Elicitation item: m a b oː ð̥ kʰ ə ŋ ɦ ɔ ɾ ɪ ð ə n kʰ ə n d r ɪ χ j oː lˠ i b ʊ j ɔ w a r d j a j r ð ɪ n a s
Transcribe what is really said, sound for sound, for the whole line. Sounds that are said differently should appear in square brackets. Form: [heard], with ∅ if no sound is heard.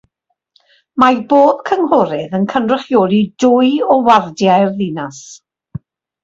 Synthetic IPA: m a b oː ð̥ kʰ ə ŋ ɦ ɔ ɾ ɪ ð ə n kʰ ə n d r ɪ χ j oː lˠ i [d] ʊ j ɔ w a r d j a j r ð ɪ n a s